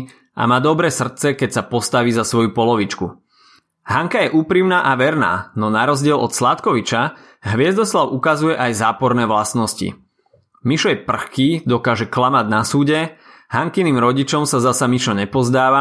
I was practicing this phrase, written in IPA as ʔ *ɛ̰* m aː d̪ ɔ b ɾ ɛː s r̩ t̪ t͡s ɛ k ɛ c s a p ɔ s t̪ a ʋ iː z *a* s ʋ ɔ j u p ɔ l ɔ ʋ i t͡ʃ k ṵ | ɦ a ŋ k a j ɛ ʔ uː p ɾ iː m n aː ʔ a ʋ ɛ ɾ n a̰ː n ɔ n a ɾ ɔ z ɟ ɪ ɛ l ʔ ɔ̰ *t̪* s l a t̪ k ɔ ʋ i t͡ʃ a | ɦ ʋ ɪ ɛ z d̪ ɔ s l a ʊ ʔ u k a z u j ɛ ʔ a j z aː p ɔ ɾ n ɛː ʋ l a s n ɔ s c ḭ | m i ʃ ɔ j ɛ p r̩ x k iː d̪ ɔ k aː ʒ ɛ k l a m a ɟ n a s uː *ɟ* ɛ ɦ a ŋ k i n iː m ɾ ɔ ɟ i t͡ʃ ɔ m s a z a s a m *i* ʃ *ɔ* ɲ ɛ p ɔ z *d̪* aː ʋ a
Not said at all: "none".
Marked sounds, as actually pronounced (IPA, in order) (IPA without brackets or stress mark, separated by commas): a̰, a, t̪, ɟ, i, ɔ, d̪